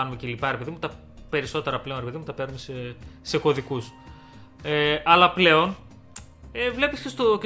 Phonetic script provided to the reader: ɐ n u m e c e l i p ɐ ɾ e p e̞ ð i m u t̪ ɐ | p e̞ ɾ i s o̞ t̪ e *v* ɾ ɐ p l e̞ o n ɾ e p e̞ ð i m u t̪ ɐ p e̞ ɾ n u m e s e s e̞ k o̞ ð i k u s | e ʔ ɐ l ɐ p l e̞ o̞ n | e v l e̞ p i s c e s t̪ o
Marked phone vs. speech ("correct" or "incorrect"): incorrect